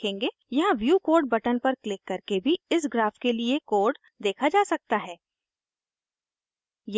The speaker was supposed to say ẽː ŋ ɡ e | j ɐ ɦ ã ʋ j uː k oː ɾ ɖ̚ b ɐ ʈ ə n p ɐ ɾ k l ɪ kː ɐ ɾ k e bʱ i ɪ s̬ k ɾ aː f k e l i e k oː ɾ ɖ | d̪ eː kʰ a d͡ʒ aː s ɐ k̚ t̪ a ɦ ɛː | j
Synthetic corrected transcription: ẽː ŋ ɡ e | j ɐ ɦ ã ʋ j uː k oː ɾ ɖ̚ b ɐ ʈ ə n p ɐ ɾ k l ɪ kː ɐ ɾ k e bʱ i ɪ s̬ ɡ ɾ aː f k e l i e k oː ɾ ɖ | d̪ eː kʰ a d͡ʒ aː s ɐ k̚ t̪ a ɦ ɛː | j

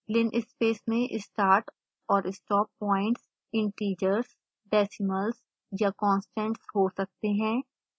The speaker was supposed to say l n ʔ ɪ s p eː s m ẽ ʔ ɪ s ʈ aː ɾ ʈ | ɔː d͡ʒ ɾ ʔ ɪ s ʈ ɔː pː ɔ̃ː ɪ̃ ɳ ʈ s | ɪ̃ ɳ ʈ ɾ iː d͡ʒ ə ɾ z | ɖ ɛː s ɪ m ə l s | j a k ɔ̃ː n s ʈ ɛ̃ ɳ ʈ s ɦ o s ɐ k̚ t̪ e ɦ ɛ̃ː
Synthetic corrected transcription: l n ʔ ɪ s p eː s m ẽ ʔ ɪ s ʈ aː ɾ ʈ | ɔː ɾ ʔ ɪ s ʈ ɔː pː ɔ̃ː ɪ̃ ɳ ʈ s | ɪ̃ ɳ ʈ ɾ iː d͡ʒ ə ɾ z | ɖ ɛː s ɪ m ə l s | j a k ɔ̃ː n s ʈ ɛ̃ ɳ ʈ s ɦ o s ɐ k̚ t̪ e ɦ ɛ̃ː

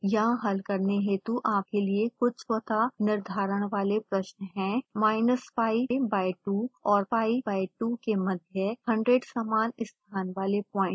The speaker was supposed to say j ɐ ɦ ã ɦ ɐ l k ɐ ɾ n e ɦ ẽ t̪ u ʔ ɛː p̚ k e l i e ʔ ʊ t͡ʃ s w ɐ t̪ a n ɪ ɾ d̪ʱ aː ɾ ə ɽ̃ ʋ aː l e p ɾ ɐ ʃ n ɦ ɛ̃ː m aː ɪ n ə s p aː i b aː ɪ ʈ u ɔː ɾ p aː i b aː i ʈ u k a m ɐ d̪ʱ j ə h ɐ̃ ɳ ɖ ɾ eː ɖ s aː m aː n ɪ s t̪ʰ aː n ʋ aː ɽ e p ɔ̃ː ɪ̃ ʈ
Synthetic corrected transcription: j ɐ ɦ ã ɦ ɐ l k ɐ ɾ n e ɦ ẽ t̪ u ʔ aː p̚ k e l i e k ʊ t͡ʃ s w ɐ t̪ a n ɪ ɾ d̪ʱ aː ɾ ə ɽ̃ ʋ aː l e p ɾ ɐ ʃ n ɦ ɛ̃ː m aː ɪ n ə s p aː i b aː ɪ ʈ u ɔː ɾ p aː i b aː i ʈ u k e m ɐ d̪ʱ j ə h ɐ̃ ɳ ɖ ɾ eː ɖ s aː m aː n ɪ s t̪ʰ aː n ʋ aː l e p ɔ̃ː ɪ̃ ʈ

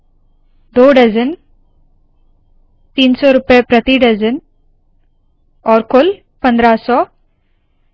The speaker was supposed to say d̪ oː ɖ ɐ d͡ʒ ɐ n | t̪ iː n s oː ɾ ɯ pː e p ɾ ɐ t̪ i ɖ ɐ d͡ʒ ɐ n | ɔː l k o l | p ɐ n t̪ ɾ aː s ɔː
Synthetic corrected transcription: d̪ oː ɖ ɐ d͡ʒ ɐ n | t̪ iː n s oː ɾ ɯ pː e p ɾ ɐ t̪ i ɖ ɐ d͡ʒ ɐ n | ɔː ɾ k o l | p ɐ n d̪ ɾ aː s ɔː

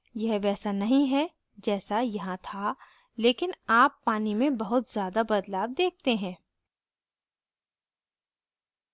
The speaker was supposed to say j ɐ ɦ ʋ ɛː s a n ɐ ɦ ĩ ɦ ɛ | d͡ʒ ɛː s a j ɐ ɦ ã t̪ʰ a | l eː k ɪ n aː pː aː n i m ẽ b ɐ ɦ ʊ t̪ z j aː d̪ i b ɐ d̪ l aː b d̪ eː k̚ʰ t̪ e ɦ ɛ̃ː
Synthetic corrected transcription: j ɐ ɦ ʋ ɛː s a n ɐ ɦ ĩ ɦ ɛ | d͡ʒ ɛː s a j ɐ ɦ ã t̪ʰ a | l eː k ɪ n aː pː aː n i m ẽ b ɐ ɦ ʊ t̪ z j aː d̪ a b ɐ d̪ l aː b d̪ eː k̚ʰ t̪ e ɦ ɛ̃ː

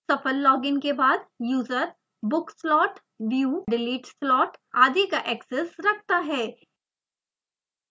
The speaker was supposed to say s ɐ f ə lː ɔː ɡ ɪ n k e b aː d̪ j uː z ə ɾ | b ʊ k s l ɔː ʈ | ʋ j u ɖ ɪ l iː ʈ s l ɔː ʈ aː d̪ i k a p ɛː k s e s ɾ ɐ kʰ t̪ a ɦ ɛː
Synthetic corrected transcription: s ɐ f ə lː ɔː ɡ ɪ n k e b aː d̪ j uː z ə ɾ | b ʊ k s l ɔː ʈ | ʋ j u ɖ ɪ l iː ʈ s l ɔː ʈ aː d̪ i k a ʔ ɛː k s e s ɾ ɐ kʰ t̪ a ɦ ɛː

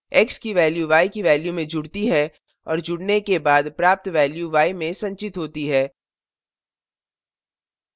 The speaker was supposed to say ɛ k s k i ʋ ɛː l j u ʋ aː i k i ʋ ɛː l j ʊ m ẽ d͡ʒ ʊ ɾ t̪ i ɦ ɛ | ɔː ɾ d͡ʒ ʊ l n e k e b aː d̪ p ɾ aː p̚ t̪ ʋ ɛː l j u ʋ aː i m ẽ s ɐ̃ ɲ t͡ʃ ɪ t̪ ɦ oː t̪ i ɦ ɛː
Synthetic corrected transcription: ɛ k s k i ʋ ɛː l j u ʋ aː i k i ʋ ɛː l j u m ẽ d͡ʒ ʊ ɽ t̪ i ɦ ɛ | ɔː ɾ d͡ʒ ʊ ɽ n e k e b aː d̪ p ɾ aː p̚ t̪ ʋ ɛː l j u ʋ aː i m ẽ s ɐ̃ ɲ t͡ʃ ɪ t̪ ɦ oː t̪ i ɦ ɛː

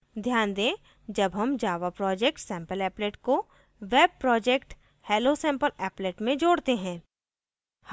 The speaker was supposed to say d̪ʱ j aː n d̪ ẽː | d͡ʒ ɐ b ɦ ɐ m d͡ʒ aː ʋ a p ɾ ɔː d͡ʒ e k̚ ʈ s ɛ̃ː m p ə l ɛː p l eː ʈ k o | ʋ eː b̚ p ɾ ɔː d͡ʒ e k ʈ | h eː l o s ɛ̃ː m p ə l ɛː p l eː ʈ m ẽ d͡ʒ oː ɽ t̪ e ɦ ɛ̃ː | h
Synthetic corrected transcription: d̪ʱ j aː n d̪ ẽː | d͡ʒ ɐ b ɦ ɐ m d͡ʒ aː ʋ a p ɾ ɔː d͡ʒ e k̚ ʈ s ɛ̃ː m p ə l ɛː p l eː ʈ k o | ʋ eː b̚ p ɾ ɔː d͡ʒ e k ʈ | h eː l o s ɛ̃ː m p ə l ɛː p l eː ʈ m ẽ d͡ʒ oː ɽ t̪ e ɦ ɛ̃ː | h

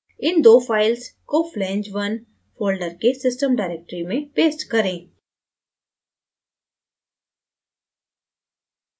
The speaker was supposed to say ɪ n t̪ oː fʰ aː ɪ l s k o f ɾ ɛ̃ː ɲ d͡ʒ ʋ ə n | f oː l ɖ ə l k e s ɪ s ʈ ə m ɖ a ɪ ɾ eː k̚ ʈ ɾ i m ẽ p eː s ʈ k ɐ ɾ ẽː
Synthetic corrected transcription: ɪ n d̪ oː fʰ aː ɪ l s k o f l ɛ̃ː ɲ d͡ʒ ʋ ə n | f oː l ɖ ə ɾ k e s ɪ s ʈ ə m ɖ a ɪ ɾ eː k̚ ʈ ɾ i m ẽ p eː s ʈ k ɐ ɾ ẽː

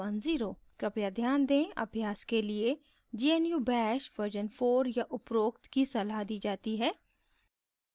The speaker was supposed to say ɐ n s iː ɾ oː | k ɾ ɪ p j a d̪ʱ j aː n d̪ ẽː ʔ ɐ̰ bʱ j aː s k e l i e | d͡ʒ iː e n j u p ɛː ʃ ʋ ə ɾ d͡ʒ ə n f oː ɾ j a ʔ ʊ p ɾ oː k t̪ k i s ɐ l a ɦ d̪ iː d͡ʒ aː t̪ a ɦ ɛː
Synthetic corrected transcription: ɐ n z iː ɾ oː | k ɾ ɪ p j a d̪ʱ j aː n d̪ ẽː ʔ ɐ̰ bʱ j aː s k e l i e | d͡ʒ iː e n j u b ɛː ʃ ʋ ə ɾ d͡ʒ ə n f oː ɾ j a ʔ ʊ p ɾ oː k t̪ k i s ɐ l a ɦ d̪ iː d͡ʒ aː t̪ i ɦ ɛː

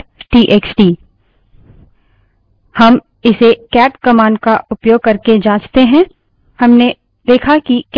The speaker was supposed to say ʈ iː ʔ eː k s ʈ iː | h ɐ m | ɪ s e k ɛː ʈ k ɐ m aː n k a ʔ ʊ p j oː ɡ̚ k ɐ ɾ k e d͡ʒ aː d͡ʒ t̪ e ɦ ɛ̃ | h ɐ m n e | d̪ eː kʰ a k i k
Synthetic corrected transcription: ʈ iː ʔ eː k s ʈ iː | h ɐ m | ɪ s e k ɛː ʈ k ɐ m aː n k a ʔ ʊ p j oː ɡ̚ k ɐ ɾ k e d͡ʒ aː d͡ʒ t̪ e ɦ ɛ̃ | h ɐ m n e | d̪ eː kʰ a k i k

